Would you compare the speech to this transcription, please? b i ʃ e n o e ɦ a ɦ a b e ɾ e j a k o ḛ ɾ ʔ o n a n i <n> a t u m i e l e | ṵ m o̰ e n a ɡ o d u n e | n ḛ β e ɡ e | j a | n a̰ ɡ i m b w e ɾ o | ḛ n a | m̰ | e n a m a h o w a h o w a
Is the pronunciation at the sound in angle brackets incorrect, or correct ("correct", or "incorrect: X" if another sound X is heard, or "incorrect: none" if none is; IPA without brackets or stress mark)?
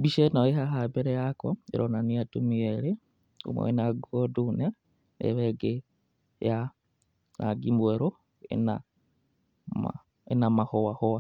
incorrect: none